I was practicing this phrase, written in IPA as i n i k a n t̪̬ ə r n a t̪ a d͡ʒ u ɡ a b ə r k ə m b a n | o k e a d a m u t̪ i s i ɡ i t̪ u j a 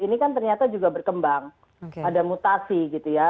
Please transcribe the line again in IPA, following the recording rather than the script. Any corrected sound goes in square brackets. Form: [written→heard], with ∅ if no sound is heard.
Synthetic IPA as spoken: i n i k a n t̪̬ ə r [n→ɲ] a t̪ a d͡ʒ u ɡ a b ə r k ə m b a [n→ŋ] | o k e a d a m u t̪ [i→a] s i ɡ i t̪ u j a